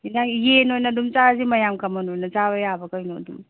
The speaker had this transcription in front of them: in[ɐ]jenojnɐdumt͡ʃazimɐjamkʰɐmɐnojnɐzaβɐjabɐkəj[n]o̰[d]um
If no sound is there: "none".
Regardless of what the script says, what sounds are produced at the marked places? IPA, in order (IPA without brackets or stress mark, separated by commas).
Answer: a, n, d